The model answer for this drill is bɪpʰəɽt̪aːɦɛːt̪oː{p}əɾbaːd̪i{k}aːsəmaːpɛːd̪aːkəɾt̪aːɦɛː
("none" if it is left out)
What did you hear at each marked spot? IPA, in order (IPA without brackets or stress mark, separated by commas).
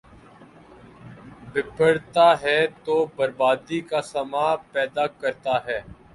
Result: b, k